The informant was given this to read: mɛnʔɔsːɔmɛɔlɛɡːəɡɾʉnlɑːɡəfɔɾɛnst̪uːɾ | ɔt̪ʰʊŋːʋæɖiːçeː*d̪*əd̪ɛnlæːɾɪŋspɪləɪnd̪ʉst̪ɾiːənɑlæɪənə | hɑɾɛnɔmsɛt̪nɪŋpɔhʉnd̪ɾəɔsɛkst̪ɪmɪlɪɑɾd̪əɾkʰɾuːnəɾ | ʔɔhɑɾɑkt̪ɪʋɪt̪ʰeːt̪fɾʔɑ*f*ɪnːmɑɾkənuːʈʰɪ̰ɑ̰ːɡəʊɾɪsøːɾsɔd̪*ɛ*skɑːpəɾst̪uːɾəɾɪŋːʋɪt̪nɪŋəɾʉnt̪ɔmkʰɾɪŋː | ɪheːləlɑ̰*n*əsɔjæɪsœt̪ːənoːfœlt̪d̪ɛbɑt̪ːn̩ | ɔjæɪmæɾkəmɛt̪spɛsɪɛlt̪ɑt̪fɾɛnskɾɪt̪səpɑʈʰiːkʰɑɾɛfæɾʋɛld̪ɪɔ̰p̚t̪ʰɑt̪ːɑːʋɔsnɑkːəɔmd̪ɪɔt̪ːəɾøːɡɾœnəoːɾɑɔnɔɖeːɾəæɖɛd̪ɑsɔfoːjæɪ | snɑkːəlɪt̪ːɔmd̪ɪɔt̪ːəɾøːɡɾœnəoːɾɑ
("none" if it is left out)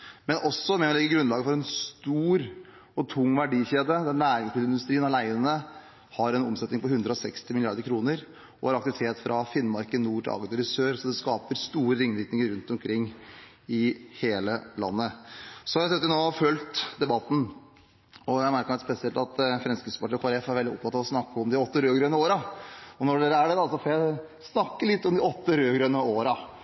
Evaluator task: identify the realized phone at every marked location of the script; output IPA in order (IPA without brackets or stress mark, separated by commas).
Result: d̪, f, ɛ, nː